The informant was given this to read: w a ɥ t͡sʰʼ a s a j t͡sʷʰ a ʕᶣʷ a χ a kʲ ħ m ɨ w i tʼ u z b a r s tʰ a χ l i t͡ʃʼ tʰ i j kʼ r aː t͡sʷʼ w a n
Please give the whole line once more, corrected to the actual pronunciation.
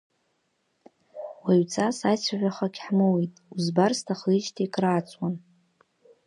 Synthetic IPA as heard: w a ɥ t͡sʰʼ a s a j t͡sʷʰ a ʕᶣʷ a χ a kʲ ħ m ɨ w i tʼ u z b a r s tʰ a χ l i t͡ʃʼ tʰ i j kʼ r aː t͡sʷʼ w a n